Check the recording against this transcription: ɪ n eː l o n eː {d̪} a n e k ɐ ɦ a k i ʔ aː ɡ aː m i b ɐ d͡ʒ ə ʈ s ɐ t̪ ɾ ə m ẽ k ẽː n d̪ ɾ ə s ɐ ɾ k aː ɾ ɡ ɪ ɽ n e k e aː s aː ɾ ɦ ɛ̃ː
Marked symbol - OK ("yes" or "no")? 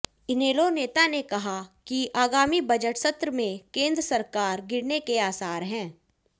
no